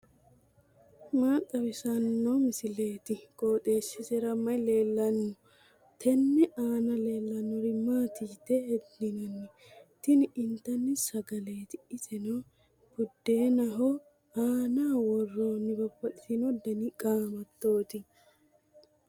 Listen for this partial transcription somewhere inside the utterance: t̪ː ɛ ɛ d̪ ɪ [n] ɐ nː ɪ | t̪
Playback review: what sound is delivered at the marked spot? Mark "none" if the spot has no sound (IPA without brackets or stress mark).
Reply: n